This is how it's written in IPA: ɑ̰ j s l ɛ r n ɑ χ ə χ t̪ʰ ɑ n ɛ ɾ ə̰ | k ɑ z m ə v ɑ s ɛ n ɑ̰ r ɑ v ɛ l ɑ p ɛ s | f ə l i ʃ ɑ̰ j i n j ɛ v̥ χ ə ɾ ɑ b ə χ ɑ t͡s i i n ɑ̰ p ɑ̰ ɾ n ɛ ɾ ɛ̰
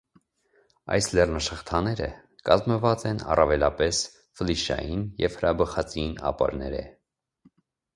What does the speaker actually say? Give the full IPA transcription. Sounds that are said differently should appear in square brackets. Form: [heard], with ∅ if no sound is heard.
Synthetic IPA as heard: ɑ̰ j s l ɛ r n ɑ [ʃ] ə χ t̪ʰ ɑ n ɛ ɾ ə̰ | k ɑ z m ə v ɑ [t͡s] ɛ n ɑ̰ r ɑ v ɛ l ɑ p ɛ s | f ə l i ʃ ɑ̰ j i n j ɛ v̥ [h] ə ɾ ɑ b ə χ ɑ t͡s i i n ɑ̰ p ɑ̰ ɾ n ɛ ɾ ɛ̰